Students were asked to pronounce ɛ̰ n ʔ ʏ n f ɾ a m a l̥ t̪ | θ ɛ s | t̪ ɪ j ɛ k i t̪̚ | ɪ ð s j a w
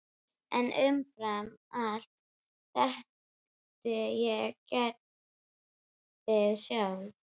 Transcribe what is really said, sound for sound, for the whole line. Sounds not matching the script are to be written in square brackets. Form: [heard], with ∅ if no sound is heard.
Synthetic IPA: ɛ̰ n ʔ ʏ [m] f ɾ a m a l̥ t̪ | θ ɛ [h] | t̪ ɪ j ɛ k [ɛ] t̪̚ | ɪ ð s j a w